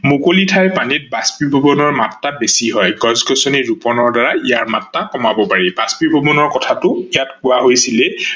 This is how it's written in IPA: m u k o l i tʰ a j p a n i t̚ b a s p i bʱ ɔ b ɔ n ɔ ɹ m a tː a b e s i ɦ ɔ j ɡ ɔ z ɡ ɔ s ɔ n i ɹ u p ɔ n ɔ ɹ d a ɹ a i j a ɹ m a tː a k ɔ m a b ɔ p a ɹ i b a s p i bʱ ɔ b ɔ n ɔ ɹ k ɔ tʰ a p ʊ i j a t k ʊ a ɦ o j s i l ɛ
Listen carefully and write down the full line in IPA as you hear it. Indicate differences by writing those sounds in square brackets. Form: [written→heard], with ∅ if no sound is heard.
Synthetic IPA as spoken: m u k o l i tʰ a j p a n i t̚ b a s p i bʱ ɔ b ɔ n ɔ ɹ m a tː a b e s i ɦ ɔ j ɡ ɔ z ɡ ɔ s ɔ n i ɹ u p ɔ n ɔ ɹ d a ɹ a i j a ɹ m a tː a k ɔ m a b ɔ p a ɹ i b a s p i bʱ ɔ b ɔ n ɔ ɹ k ɔ tʰ a [p→t] ʊ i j a t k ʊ a ɦ o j s i l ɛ